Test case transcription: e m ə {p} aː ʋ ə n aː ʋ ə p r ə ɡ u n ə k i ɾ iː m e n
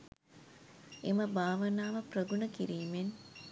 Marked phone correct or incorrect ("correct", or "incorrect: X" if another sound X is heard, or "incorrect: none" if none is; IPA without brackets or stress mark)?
incorrect: b